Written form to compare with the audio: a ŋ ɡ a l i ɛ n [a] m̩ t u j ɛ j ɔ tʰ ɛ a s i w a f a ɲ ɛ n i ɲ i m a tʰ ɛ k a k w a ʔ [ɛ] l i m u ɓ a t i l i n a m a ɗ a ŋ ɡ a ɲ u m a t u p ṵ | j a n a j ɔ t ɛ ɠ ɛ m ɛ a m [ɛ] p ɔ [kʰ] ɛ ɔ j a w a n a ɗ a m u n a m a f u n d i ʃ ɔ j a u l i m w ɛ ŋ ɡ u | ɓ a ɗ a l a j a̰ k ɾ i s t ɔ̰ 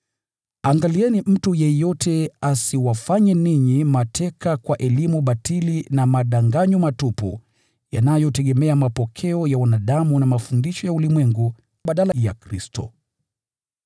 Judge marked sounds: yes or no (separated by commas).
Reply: no, yes, no, yes